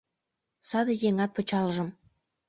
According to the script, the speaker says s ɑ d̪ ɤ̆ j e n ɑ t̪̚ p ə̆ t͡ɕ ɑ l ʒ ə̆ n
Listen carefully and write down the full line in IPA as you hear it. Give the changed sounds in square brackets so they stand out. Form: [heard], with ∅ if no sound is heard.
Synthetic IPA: s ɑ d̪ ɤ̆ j e [ŋ] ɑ t̪̚ p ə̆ t͡ɕ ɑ l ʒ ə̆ [m]